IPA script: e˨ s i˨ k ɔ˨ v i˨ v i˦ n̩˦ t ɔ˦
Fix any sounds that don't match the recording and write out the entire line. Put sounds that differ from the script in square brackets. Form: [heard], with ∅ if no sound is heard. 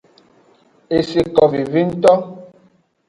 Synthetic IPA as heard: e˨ s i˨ k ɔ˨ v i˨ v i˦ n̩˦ t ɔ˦